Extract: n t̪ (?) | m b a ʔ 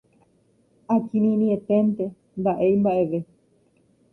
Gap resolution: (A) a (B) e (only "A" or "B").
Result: B